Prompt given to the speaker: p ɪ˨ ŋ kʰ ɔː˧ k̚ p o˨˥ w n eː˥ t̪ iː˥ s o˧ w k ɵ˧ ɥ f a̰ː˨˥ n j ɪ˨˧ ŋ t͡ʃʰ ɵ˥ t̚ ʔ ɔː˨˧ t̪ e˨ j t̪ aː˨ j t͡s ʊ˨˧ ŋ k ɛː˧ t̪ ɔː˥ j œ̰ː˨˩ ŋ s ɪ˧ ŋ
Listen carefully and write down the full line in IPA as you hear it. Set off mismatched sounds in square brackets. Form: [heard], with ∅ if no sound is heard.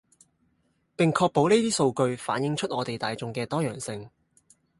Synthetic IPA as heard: p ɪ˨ ŋ kʰ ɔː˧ k̚ p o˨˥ w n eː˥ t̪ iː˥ s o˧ w k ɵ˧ ɥ f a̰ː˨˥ n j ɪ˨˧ ŋ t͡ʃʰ ɵ˥ t̚ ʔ ɔː˨˧ t̪ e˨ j t̪ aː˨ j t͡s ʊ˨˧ ŋ k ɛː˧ t̪ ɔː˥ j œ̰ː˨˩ ŋ s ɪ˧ ŋ